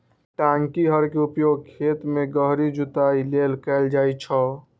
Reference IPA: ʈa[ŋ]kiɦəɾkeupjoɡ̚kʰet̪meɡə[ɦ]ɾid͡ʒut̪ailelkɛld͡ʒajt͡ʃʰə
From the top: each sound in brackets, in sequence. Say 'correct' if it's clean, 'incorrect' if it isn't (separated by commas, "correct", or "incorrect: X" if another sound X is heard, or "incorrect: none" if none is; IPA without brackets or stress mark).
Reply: correct, correct